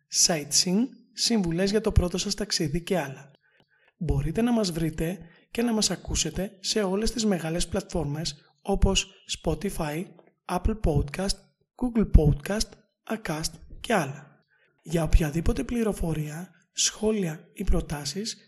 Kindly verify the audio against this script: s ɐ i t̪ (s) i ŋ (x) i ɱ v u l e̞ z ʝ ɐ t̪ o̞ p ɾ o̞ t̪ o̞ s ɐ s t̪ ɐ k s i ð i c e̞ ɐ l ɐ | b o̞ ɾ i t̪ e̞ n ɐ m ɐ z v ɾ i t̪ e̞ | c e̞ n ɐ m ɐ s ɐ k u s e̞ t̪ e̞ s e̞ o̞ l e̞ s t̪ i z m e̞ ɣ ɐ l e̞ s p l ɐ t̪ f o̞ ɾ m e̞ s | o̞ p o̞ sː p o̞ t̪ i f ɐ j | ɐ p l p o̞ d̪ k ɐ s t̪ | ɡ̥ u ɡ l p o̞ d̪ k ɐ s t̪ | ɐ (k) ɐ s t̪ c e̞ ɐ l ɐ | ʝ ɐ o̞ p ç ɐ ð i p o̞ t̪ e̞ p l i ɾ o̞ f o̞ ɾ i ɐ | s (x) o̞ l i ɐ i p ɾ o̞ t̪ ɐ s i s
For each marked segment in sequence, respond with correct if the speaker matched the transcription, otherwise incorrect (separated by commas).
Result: correct, incorrect, correct, correct